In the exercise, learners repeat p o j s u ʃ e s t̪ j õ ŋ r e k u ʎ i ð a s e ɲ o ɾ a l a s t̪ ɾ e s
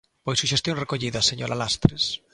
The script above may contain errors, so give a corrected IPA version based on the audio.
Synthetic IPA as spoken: p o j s u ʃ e s t̪ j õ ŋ r e k o ʎ i ð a s e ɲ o ɾ a l a s t̪ ɾ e s